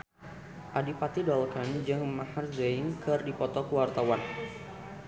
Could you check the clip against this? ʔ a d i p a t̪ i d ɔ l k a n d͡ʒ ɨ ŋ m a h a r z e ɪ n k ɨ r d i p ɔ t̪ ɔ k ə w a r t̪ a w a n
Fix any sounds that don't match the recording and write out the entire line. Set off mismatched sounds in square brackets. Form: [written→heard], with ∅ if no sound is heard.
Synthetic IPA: ʔ a d i p a t̪ i d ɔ l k a n d͡ʒ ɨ ŋ m a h a r z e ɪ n k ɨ r d i p ɔ t̪ ɔ k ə w a r t̪ a w a n

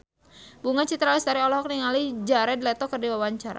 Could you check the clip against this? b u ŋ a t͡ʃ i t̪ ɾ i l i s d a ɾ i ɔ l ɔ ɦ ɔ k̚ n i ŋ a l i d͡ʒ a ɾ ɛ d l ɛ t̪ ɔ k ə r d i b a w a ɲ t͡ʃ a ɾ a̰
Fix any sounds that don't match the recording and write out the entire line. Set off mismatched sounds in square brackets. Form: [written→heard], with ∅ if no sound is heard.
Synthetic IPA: b u ŋ a t͡ʃ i t̪ ɾ [i→a] l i s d a ɾ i ɔ l ɔ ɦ ɔ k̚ n i ŋ a l i d͡ʒ a ɾ ɛ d l ɛ t̪ ɔ k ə r d i [b→w] a w a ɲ t͡ʃ a ɾ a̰

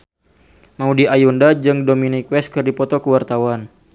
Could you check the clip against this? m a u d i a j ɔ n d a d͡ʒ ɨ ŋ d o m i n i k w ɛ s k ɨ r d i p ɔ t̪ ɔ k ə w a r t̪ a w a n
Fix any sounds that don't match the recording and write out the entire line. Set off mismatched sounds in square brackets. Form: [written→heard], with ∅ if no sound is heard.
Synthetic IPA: m a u d i a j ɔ n d a d͡ʒ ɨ ŋ d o m i n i k w ɛ s k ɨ r d i p ɔ t̪ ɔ k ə w a r t̪ a w a n

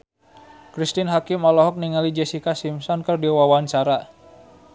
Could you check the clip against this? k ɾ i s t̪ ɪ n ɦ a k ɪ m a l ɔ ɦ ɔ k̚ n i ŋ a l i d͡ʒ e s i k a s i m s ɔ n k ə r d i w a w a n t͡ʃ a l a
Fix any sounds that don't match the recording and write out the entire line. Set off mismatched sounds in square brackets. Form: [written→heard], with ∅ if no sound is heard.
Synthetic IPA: k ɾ i s t̪ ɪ n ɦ a k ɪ m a l ɔ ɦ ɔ k̚ n i ŋ a l i d͡ʒ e s i k a s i m s ɔ n k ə r d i w a w a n t͡ʃ a [l→ɾ] a

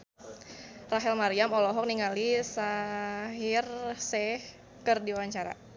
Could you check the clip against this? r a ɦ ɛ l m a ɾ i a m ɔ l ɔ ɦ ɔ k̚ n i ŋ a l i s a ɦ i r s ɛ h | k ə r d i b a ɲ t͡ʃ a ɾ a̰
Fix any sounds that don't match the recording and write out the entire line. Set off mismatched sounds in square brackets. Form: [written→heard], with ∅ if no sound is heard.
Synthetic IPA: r a ɦ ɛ l m a ɾ i a m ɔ l ɔ ɦ ɔ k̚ n i ŋ a l i s a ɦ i r s ɛ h | k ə r d i [b→w] a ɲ t͡ʃ a ɾ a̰

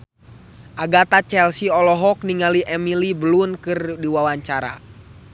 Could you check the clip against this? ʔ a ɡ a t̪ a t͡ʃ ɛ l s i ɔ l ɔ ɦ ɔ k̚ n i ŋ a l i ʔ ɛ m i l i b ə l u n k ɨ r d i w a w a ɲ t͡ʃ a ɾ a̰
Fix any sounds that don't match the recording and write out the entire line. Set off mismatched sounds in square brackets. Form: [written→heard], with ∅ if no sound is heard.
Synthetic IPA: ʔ a ɡ a t̪ a t͡ʃ ɛ l s i ɔ l ɔ ɦ ɔ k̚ n i ŋ a l i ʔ ɛ m i l i b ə l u n k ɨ r d i w a w a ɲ t͡ʃ a ɾ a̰

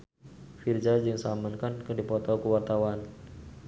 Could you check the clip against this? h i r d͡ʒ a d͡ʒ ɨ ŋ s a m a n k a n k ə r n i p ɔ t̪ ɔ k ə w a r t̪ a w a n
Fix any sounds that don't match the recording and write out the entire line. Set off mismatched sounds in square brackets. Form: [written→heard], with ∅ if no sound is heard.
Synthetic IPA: [h→f] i r d͡ʒ a d͡ʒ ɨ ŋ s a m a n k a n k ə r [n→d] i p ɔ t̪ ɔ k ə w a r t̪ a w a n

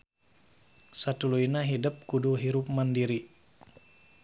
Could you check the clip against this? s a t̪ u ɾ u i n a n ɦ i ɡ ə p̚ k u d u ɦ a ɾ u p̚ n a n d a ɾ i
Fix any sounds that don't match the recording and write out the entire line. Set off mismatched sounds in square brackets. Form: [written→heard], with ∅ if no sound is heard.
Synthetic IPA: s a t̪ u [ɾ→l] u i n a [n→∅] ɦ i [ɡ→d] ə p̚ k u d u ɦ [a→i] ɾ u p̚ [n→m] a n d [a→i] ɾ i

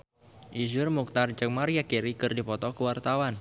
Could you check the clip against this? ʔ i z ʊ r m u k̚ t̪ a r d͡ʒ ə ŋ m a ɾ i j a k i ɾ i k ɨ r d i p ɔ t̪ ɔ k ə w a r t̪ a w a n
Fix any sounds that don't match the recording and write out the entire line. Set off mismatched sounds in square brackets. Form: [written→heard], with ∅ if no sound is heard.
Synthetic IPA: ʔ i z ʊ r m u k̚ t̪ a r d͡ʒ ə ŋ m a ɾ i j a k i ɾ i k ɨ r d i p ɔ t̪ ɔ k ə w a r t̪ a w a n

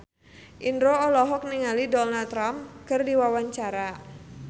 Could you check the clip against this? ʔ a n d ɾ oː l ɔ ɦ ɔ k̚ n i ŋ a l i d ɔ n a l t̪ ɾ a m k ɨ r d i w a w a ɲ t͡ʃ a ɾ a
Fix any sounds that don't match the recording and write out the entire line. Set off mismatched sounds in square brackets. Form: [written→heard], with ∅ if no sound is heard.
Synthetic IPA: ʔ [a→i] n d ɾ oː l ɔ ɦ ɔ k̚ n i ŋ a l i d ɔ n a l t̪ ɾ a m k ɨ r d i w a w a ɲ t͡ʃ a ɾ a

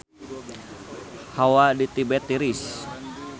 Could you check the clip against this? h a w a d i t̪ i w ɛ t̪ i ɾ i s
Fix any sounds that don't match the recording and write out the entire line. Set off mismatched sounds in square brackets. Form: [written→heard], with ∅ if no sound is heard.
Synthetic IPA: h a w a d i t̪ i [w→b] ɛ t̪ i ɾ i s

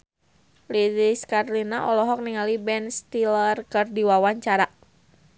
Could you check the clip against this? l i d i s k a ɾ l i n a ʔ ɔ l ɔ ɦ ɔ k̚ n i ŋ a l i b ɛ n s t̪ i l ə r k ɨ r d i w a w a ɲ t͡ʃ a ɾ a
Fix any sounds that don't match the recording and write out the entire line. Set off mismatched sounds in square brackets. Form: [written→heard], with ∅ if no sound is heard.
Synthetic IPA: l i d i s k a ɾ l i n a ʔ ɔ l ɔ ɦ ɔ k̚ n i ŋ a l i b ɛ n s t̪ i l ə r k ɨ r d i w a w a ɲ t͡ʃ a ɾ a

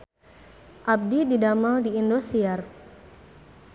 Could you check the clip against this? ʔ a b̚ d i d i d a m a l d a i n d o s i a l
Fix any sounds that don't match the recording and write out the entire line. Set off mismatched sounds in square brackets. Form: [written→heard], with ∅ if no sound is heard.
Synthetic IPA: ʔ a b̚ d i d i d a m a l d [a→i] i n d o s i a [l→r]

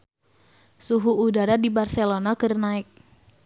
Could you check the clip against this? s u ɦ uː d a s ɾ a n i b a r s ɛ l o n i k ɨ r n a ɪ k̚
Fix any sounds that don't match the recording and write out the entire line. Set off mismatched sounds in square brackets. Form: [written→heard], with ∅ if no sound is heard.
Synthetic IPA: s u ɦ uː d a [s→∅] ɾ a [n→d] i b a r s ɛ l o n [i→a] k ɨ r n a ɪ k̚

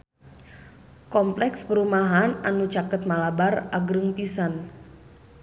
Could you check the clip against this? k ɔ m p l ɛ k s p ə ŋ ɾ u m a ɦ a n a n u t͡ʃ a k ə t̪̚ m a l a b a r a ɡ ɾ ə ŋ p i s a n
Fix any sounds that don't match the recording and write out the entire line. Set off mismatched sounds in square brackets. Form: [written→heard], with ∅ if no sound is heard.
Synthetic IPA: k ɔ m p l ɛ k s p ə [ŋ→∅] ɾ u m a ɦ a n a n u t͡ʃ a k ə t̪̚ m a l a b a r a ɡ ɾ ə ŋ p i s a n

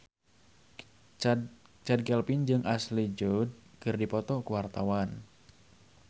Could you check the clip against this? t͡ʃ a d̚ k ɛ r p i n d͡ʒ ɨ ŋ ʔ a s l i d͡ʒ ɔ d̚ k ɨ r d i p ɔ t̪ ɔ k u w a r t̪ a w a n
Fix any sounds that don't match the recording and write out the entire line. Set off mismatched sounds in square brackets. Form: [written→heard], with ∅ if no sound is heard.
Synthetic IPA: t͡ʃ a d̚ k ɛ [r→l] p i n d͡ʒ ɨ ŋ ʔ a s l i d͡ʒ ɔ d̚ k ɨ r d i p ɔ t̪ ɔ k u w a r t̪ a w a n

